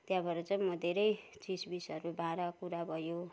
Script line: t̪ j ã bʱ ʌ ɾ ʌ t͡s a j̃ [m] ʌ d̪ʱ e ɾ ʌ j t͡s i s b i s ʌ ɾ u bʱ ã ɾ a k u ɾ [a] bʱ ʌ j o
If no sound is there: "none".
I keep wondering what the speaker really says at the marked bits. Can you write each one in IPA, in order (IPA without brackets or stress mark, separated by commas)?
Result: m, a